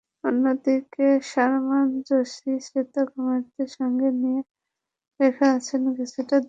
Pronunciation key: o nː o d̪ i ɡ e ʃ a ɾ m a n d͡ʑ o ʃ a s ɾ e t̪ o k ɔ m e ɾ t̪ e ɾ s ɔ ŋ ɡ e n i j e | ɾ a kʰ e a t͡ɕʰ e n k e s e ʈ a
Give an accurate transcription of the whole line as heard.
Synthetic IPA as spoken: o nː o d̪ i k e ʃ a ɾ m a n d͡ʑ o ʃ i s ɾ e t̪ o k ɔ m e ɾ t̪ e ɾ ʃ ɔ ŋ ɡ e n i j e | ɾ e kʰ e a t͡ɕʰ e n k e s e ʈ a

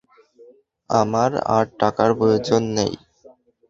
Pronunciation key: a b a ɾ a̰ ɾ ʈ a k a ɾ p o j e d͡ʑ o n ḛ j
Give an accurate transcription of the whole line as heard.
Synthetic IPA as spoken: a m a ɾ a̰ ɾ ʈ a k a ɾ p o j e d͡ʑ o nː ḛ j

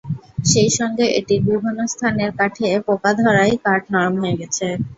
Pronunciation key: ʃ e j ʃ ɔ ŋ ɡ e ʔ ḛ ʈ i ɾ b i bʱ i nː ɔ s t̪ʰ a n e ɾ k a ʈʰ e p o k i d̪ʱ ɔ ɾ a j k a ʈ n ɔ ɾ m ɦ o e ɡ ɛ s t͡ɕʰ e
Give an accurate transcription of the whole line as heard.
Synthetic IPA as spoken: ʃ e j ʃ ɔ ŋ ɡ e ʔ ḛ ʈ i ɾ b i bʱ i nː o s t̪ʰ a n e ɾ k a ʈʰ e p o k a d̪ʱ ɔ ɾ a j k a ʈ n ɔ ɾ m ɦ o e ɡ ɛ t͡ɕʰ e

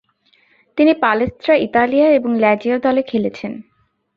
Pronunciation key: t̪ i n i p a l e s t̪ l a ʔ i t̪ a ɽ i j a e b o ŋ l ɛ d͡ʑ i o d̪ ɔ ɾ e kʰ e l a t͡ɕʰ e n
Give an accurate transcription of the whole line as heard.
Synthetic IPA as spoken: t̪ i n i p a l e s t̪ ɾ a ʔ i t̪ a l i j a e b o ŋ l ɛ d͡ʑ i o d̪ ɔ l e kʰ e l e t͡ɕʰ e n

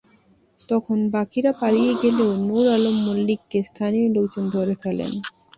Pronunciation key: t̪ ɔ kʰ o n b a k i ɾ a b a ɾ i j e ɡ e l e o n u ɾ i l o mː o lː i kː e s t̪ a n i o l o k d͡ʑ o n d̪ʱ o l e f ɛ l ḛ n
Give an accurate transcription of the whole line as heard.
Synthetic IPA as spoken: t̪ ɔ kʰ o n b a k i ɾ a p a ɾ i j e ɡ e l e o n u ɾ a l o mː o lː i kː e s t̪ʰ a n i o l o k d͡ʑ o n d̪ʱ o ɾ e f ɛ l ḛ n

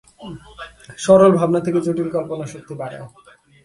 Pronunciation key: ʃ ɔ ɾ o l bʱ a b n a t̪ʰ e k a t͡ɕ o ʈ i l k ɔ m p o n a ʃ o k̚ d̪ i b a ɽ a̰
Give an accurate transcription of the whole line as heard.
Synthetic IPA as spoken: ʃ ɔ ɾ o l bʱ a b n a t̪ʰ e k e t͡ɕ o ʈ i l k ɔ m p o n a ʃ o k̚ t̪ i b a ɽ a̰

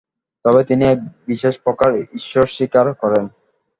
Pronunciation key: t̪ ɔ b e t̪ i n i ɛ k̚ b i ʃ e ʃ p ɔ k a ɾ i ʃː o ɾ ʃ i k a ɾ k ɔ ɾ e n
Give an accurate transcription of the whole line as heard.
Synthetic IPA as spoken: t̪ ɔ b e t̪ i n i ɛ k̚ b i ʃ e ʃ p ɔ k a ɾ i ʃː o ɾ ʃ i k a ɾ k ɔ ɾ e n

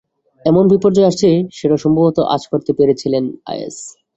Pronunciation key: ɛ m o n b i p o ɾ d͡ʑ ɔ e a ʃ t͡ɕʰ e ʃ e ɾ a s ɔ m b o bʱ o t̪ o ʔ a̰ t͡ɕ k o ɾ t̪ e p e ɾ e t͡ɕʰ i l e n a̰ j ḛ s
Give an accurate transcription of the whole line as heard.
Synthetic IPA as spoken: ɛ m o n b i p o ɾ d͡ʑ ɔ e a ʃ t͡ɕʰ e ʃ e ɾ a ʃ ɔ m b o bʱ o t̪ o ʔ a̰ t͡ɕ k o ɾ t̪ e p e ɾ e t͡ɕʰ i l e n a̰ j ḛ s

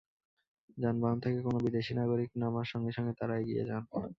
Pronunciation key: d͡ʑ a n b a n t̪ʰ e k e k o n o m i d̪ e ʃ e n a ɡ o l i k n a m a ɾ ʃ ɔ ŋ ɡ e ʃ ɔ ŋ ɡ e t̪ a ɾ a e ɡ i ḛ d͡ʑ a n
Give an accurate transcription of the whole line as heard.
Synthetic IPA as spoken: d͡ʑ a n b a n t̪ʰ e k e k o n o b i d̪ e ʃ i n a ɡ o ɾ i k n a m a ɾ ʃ ɔ ŋ ɡ e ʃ ɔ ŋ ɡ e t̪ a ɾ a e ɡ i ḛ d͡ʑ a n

